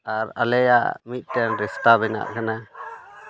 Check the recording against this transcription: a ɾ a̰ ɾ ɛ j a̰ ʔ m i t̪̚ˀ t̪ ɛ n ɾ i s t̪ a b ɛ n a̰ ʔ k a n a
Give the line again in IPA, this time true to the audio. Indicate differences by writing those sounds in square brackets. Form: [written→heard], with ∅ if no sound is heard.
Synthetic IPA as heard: a ɾ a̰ [ɾ→l] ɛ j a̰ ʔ m i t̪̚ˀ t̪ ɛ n ɾ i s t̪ a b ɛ n a̰ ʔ k a n a